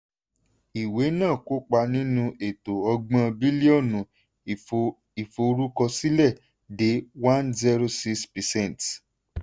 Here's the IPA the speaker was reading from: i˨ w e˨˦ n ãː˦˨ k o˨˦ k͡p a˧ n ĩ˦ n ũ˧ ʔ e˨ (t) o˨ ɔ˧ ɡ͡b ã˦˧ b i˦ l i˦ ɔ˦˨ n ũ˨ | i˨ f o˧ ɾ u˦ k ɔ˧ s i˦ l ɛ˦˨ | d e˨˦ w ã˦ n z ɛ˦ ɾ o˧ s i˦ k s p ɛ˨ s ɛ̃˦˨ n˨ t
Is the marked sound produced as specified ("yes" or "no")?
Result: yes